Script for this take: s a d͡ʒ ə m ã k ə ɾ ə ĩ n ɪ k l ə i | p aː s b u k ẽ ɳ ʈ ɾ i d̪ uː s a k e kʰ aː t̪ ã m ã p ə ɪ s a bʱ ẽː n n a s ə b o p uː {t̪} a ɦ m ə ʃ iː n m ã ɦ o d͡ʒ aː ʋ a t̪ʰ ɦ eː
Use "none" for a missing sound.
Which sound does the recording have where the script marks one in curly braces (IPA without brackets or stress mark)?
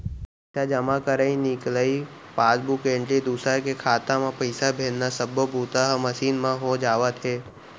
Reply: t̪